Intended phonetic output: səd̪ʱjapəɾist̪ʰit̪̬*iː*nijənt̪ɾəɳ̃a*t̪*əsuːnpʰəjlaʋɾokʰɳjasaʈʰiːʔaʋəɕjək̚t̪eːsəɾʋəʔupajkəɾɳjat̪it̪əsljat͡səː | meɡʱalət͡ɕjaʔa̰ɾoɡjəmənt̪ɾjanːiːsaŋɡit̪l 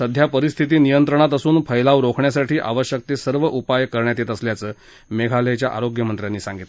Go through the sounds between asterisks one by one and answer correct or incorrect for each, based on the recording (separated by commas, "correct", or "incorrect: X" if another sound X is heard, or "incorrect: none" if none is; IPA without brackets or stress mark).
correct, correct